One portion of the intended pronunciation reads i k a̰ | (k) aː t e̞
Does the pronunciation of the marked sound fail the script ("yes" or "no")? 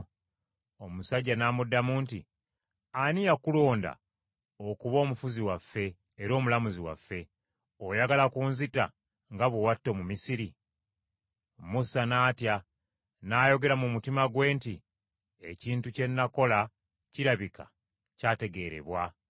yes